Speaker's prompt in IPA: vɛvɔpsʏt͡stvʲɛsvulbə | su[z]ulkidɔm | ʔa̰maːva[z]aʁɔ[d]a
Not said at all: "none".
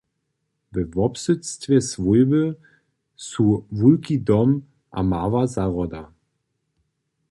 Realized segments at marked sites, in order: v, z, d

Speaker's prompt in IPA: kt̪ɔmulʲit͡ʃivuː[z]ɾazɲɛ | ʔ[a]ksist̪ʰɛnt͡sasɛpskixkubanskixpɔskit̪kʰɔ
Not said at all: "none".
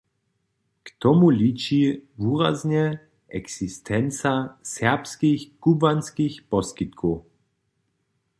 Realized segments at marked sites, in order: none, ɛ

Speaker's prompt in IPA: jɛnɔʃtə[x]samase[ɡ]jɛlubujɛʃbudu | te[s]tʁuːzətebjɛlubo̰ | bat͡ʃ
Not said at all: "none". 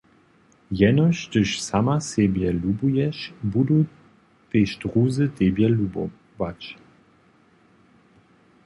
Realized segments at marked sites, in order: ʃ, b, ʃ

